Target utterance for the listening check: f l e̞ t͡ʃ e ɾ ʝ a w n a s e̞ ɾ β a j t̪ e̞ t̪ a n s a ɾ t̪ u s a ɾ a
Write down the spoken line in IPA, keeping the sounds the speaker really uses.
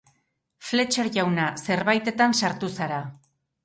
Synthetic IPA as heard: f l e̞ t͡ʃ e ɾ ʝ a w n a s e̞ ɾ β a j t̪ e̞ t̪ a n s a ɾ t̪ u s a ɾ a